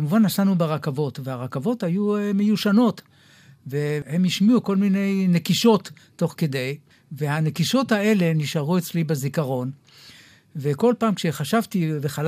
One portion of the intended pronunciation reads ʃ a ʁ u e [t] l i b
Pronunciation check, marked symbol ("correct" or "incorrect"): incorrect